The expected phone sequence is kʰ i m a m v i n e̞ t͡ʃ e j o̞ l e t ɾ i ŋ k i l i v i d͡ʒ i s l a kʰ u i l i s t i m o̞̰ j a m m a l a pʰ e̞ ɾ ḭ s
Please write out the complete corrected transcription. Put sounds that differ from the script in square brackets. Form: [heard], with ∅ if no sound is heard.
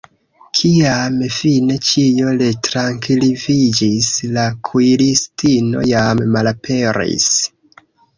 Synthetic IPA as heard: kʰ i [∅] a m [f] i n e̞ t͡ʃ [i] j o̞ l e t ɾ [a] ŋ k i l i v i d͡ʒ i s l a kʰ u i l i s t i [n] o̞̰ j a m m a l a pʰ e̞ ɾ ḭ s